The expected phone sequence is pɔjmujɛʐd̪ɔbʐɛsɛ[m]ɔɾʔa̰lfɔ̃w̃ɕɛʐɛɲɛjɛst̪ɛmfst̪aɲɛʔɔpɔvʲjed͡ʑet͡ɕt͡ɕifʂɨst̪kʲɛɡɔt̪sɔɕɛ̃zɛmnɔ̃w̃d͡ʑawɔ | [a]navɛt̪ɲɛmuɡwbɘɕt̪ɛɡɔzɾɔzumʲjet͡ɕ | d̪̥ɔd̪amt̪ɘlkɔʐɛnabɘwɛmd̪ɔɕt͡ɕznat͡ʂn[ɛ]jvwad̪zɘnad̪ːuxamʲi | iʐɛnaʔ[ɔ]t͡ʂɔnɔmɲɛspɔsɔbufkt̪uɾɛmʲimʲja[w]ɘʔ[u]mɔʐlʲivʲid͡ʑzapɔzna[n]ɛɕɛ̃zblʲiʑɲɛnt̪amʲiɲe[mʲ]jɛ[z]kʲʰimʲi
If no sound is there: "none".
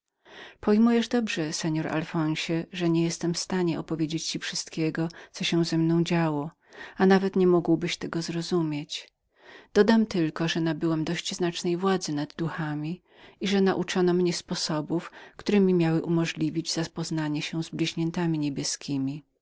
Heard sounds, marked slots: ɲ, a, ɛ, u, w, u, ɲ, bʲ, s

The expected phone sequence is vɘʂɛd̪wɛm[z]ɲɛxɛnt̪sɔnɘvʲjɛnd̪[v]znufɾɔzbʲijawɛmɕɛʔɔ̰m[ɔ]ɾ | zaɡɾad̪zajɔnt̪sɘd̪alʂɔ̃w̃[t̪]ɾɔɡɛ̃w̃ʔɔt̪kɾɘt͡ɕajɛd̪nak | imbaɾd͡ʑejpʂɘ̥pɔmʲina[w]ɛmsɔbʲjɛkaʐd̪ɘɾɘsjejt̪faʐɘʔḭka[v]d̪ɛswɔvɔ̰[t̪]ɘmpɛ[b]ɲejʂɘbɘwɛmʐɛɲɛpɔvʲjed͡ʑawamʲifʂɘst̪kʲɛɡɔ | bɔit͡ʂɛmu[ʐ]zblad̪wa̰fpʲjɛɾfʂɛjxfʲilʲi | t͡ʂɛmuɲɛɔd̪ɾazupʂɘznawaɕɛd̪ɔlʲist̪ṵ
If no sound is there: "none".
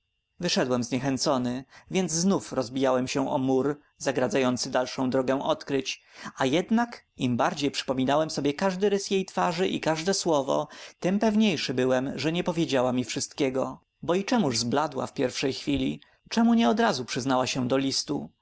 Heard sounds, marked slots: z, z, u, d̪, w, ʐ, t̪, v, ʐ

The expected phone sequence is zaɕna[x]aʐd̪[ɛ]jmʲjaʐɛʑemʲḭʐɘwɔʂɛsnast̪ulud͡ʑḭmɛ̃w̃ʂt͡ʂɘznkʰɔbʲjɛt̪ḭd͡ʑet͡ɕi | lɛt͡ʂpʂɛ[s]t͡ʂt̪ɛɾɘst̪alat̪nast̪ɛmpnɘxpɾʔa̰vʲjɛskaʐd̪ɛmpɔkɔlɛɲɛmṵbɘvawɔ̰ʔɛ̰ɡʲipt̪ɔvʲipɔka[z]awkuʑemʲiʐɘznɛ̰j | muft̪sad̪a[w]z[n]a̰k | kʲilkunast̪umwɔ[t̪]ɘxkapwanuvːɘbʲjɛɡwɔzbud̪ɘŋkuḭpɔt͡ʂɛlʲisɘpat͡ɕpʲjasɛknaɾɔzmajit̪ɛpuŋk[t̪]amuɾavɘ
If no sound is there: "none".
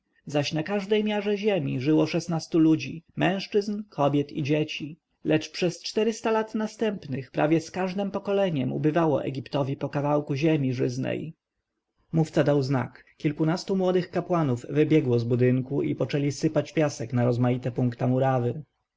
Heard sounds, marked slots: k, ɛ, s, v, w, n, d̪, t̪

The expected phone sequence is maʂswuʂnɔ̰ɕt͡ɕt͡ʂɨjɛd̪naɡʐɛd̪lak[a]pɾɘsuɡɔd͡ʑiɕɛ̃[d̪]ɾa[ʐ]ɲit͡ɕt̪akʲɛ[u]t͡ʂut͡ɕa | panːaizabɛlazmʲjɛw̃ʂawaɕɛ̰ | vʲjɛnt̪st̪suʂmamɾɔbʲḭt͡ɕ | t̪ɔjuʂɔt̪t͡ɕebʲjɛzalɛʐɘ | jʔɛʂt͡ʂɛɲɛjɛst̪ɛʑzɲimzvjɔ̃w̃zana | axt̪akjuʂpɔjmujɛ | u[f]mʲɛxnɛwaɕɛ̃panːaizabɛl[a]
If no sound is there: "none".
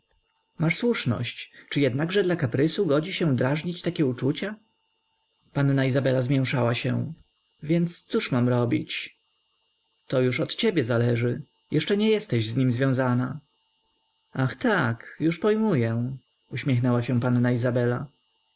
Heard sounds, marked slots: a, d̪, ʐ, u, ɕ, a

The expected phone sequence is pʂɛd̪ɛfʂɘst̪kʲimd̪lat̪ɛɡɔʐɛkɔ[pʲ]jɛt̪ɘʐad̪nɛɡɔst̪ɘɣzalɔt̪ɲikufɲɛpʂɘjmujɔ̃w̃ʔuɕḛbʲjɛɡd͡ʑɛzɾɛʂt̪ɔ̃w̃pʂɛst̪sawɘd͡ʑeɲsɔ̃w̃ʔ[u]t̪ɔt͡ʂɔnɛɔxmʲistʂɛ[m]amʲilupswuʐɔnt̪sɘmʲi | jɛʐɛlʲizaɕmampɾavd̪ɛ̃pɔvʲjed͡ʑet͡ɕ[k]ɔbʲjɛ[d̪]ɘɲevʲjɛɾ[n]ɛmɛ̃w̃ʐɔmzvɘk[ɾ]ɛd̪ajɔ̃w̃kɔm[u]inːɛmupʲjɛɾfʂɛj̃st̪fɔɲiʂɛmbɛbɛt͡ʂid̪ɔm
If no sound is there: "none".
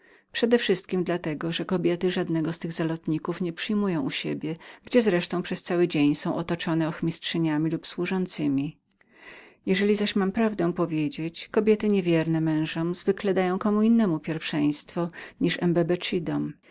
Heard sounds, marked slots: bʲ, ɔ, ɲ, k, t̪, n, l, u

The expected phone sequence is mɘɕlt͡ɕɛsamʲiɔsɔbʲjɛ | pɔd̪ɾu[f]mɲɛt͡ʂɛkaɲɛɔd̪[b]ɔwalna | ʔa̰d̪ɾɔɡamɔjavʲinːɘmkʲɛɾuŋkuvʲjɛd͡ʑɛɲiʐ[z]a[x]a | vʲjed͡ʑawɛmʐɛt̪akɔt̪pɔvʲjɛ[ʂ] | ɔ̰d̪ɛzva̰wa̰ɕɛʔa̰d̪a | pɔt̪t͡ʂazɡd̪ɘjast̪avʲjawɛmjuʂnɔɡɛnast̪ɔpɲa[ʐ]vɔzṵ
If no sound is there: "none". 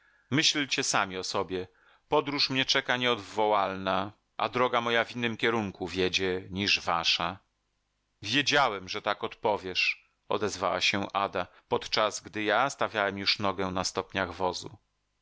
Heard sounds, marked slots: ʂ, v, v, ʂ, ʂ, ɣ

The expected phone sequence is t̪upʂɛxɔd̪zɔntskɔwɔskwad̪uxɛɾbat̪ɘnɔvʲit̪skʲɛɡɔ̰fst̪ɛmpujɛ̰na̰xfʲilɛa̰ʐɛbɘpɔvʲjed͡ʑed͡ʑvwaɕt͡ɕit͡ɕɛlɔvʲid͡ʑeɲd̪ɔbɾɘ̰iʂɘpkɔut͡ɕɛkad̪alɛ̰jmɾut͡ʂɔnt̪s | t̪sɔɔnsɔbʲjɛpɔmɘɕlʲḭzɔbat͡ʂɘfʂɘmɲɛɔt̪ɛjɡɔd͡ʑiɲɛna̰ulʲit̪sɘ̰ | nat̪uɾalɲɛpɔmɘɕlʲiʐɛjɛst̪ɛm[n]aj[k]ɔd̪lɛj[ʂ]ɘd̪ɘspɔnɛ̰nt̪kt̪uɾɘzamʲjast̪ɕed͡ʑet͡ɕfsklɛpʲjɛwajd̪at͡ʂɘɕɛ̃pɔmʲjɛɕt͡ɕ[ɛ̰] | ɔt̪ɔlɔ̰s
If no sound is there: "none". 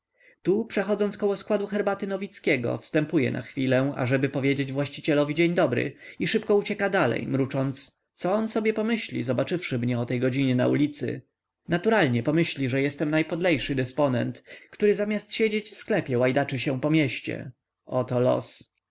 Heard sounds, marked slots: n, p, ʂ, ɛ̰

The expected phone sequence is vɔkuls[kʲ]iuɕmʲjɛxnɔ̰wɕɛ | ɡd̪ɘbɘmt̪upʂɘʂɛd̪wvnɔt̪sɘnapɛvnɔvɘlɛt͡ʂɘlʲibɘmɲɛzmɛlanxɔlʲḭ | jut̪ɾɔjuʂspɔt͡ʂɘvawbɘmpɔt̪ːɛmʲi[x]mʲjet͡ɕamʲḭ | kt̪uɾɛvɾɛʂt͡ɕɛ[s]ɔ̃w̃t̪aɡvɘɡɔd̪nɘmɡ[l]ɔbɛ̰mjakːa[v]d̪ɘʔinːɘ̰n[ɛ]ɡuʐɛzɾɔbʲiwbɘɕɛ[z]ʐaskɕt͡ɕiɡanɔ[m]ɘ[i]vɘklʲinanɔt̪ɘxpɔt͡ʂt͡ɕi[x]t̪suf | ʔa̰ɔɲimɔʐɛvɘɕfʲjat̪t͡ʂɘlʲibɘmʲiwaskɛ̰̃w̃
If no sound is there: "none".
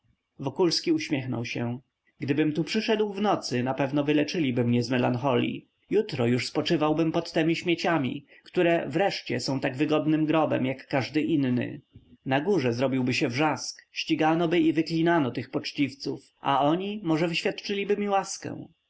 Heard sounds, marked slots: kʲ, ɕ, s, ɾ, ʐ, a, v, b, i, f

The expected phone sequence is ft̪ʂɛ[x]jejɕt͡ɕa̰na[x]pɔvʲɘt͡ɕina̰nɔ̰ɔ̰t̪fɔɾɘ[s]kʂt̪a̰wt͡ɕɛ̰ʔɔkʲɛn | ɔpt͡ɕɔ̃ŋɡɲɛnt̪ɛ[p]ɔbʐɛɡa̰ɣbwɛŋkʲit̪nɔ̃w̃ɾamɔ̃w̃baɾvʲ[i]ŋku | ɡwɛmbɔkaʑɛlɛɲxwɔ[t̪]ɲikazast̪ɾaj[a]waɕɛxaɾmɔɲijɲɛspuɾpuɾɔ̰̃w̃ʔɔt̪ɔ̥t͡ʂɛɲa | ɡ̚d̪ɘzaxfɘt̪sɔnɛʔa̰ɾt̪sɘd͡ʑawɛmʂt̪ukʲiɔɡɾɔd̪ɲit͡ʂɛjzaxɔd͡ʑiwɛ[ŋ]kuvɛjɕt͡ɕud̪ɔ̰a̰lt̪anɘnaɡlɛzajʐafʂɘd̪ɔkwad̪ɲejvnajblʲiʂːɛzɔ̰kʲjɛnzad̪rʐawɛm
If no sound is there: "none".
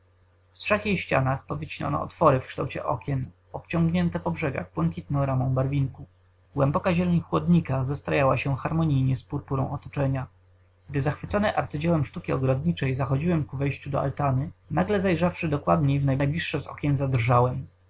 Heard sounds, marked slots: x, x, f, p, i, d̪, a, m

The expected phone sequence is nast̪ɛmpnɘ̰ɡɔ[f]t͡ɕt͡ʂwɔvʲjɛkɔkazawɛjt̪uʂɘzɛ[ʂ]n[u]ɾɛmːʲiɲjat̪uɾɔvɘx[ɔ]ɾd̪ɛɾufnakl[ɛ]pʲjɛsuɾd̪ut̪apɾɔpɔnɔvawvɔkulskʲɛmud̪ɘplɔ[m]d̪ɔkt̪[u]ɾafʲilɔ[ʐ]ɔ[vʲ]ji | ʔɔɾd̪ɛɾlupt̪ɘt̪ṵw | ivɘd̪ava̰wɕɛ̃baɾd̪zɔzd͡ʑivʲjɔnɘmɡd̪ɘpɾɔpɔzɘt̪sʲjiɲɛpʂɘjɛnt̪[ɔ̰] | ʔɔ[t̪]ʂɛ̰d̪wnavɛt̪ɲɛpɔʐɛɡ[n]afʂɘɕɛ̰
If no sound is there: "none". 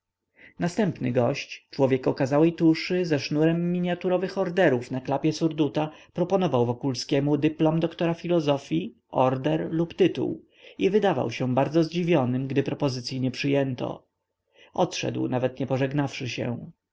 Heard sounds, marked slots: ɕ, ʂ, u, ɔ, a, m, ɔ, z, fʲ, ɔ̰, t̪, n

